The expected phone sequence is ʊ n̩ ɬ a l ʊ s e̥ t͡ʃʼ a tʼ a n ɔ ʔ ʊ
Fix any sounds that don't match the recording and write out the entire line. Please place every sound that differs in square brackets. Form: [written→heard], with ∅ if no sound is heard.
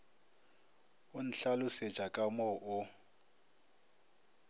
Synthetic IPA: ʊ n̩ ɬ a l ʊ s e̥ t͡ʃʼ a [tʼ→kʼ] a [n→m] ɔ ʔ ʊ